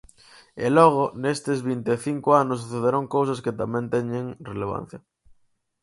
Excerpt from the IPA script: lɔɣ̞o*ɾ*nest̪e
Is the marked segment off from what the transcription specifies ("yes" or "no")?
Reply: yes